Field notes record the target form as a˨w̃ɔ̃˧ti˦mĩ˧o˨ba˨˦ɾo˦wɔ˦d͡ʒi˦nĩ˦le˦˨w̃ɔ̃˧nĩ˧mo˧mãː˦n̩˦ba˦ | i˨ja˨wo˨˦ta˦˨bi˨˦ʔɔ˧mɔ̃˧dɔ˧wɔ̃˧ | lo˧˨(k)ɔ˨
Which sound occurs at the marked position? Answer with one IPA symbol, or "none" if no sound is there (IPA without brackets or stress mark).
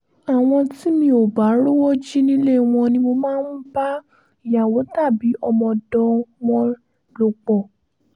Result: k͡p